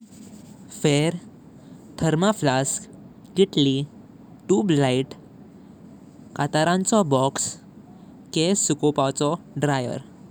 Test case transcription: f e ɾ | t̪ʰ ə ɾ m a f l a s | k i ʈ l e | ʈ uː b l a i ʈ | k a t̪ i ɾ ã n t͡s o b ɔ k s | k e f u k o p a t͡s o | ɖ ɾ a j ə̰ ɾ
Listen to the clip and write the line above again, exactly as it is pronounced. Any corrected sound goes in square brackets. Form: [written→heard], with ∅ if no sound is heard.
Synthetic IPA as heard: f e ɾ | t̪ʰ ə ɾ m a f l a s | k i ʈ l [e→i] | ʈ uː b l a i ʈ | k a t̪ [i→a] ɾ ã n t͡s [o→ɔ] b ɔ k s | k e [f→s] u k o p a t͡s [o→ɔ] | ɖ ɾ a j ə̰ ɾ